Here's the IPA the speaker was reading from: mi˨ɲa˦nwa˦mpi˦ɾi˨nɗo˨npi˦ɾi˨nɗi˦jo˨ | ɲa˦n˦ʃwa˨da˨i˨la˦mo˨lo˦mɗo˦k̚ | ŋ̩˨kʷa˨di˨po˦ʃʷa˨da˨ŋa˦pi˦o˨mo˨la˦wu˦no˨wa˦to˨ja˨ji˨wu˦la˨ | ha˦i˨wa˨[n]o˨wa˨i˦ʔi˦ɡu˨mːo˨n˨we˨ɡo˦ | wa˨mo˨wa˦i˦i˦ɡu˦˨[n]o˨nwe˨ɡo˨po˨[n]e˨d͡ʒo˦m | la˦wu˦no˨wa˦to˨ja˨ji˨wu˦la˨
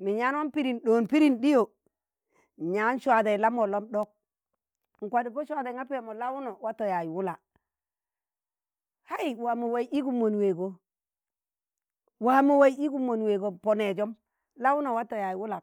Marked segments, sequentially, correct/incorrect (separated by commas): incorrect, incorrect, correct